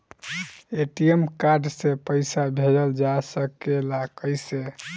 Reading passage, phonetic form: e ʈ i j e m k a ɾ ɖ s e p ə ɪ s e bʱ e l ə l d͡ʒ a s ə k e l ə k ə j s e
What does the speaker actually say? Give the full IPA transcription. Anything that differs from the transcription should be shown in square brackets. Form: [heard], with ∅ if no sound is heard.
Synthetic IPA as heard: e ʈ i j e m k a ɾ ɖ s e p ə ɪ s [a] bʱ e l ə l d͡ʒ a s ə k e l [a] k ə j s e